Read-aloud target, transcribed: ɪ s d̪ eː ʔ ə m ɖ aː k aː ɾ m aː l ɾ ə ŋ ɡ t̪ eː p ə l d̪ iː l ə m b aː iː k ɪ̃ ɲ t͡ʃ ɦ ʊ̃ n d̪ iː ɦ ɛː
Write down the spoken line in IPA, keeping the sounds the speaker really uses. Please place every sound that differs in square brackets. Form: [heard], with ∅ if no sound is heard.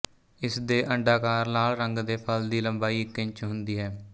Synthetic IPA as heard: ɪ s d̪ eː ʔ ə [ɳ] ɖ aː k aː ɾ [n] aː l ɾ ə ŋ ɡ [d̪] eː [pʰ] ə l d̪ iː l ə m b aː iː k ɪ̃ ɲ t͡ʃ ɦ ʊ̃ n d̪ iː ɦ ɛː